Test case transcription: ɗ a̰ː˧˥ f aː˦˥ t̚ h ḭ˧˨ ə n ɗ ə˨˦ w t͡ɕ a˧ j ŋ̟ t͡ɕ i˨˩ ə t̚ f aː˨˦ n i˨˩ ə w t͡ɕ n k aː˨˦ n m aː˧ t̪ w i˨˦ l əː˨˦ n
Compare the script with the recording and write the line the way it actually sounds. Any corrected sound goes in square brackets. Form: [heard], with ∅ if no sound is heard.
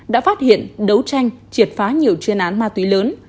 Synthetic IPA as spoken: ɗ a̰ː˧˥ f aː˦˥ t̚ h ḭ˧˨ ə n ɗ ə˨˦ w t͡ɕ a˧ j ŋ̟ t͡ɕ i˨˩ ə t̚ f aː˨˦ [ɲ] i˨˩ ə w t͡ɕ n [ʔ] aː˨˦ n m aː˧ t̪ w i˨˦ l əː˨˦ n

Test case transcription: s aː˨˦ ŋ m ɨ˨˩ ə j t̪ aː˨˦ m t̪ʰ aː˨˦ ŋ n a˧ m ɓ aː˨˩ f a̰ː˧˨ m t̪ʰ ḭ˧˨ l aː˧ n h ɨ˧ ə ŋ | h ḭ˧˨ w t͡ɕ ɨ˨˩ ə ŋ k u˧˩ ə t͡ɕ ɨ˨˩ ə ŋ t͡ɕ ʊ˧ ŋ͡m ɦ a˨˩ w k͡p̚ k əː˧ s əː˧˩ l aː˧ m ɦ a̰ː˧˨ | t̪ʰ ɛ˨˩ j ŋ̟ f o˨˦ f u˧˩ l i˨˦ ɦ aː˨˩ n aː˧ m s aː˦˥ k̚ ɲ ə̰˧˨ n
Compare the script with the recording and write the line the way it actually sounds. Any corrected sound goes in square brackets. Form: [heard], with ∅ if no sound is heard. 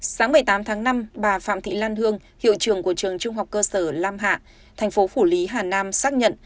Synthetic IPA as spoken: s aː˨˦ ŋ m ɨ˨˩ ə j t̪ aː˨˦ m t̪ʰ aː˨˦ ŋ n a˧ m ɓ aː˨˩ f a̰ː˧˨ m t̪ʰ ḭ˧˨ l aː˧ n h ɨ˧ ə ŋ | h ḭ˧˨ w t͡ɕ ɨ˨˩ ə ŋ k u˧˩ ə t͡ɕ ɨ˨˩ ə ŋ t͡ɕ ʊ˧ ŋ͡m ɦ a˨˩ w k͡p̚ k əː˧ s əː˧˩ l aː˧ m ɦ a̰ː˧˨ | t̪ʰ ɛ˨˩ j ŋ̟ f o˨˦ f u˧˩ l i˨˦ ɦ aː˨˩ n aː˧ m s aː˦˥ k̚ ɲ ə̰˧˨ n

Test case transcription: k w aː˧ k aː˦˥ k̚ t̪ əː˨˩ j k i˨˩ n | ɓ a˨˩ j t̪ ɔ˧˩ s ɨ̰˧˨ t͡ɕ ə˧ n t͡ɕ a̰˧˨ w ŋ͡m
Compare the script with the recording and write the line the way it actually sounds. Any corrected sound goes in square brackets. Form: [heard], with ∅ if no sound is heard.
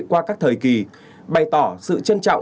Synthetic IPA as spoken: k w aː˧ k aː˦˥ k̚ [t̪ʰ] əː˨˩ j k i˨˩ [∅] | ɓ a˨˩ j t̪ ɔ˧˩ s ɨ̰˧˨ t͡ɕ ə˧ n t͡ɕ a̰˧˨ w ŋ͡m

